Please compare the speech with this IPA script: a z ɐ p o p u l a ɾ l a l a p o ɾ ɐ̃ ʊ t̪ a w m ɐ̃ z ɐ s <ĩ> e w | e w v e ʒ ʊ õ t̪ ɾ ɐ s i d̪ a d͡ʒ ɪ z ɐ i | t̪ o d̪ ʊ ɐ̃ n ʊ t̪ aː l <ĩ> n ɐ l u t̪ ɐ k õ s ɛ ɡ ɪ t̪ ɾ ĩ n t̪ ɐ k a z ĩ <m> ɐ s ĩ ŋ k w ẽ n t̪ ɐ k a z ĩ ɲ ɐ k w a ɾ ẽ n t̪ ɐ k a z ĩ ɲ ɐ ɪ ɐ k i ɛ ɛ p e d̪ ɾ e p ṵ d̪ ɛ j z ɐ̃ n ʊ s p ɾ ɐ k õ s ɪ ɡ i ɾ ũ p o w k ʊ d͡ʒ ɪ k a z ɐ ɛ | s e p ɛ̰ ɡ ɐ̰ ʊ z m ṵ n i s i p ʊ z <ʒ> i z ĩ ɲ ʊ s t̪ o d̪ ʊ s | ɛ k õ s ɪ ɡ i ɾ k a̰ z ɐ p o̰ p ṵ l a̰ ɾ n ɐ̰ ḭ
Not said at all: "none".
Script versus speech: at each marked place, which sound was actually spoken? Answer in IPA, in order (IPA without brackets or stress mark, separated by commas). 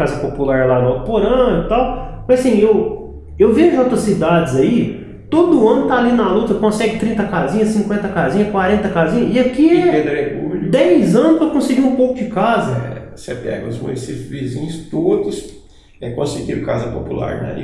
ĩ, i, ɲ, v